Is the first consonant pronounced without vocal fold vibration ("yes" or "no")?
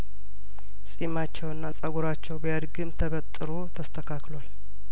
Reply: yes